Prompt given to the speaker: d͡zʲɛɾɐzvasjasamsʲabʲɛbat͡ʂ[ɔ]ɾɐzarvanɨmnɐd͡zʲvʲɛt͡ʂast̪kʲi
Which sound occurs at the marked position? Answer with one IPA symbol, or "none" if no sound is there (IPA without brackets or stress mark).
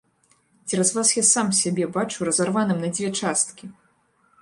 u